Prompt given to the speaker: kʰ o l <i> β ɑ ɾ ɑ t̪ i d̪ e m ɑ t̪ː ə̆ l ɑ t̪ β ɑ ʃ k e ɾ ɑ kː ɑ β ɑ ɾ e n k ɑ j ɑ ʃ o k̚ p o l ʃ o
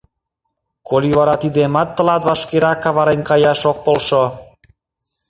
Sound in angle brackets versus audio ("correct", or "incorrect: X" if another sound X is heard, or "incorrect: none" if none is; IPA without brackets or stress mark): correct